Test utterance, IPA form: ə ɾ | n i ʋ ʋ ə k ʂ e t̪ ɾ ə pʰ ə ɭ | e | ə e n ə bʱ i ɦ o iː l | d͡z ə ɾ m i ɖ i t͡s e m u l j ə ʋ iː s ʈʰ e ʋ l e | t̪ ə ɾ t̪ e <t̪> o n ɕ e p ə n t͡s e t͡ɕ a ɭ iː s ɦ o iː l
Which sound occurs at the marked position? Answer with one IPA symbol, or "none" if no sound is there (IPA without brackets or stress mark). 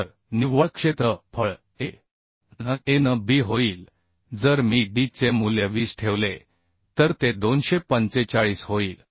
d̪